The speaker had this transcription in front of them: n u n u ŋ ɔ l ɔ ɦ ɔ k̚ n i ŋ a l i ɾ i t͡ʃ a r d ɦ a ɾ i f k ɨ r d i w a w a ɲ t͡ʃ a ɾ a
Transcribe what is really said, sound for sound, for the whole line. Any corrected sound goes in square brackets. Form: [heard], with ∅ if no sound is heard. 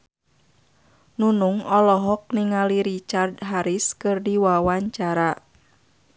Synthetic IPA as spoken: n u n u ŋ ɔ l ɔ ɦ ɔ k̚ n i ŋ a l i ɾ i t͡ʃ a r d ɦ a ɾ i [s] k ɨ r d i w a w a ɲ t͡ʃ a ɾ a